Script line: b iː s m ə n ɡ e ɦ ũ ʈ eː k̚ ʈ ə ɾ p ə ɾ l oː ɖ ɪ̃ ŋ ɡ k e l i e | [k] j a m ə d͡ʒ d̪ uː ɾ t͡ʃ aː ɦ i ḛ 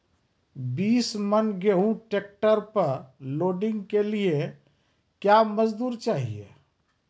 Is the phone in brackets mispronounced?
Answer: no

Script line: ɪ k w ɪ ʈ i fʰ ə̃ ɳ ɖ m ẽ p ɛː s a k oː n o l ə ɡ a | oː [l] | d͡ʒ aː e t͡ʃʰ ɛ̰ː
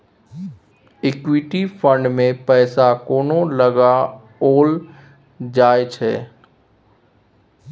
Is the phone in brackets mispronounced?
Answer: no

